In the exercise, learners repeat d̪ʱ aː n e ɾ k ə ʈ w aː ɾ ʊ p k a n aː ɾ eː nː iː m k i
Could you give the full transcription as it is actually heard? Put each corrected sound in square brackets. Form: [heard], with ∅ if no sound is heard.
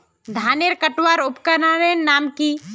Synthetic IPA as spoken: d̪ʱ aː n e ɾ k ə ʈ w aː ɾ ʊ p k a n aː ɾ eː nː [aː] m k i